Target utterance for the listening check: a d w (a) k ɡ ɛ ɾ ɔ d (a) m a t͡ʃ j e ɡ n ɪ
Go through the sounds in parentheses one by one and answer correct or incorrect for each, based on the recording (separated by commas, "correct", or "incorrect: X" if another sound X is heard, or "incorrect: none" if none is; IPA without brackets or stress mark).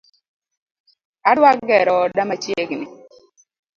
correct, correct